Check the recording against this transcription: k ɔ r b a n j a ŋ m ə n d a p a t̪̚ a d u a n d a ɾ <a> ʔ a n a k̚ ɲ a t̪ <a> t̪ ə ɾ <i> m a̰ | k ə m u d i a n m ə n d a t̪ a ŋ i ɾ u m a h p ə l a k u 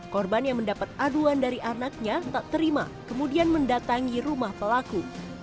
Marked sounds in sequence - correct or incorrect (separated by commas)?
incorrect, correct, correct